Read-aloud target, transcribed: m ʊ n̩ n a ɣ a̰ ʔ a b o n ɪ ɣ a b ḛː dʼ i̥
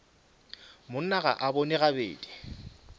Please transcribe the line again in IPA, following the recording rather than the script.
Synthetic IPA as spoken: m ʊ n̩ n a ɣ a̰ ʔ a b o n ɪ ɣ a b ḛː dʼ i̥